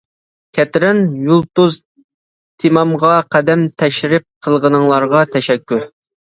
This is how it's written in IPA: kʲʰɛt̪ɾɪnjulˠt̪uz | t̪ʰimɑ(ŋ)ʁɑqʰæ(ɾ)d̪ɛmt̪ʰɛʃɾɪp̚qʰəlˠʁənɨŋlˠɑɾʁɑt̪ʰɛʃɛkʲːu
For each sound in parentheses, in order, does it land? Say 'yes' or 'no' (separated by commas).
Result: no, no